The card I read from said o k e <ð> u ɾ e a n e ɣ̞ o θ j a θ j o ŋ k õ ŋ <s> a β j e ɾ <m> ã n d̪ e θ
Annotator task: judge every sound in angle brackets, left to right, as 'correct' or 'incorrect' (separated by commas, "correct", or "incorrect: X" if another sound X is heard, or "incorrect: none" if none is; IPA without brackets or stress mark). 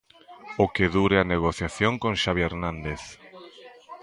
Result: correct, incorrect: ʃ, incorrect: n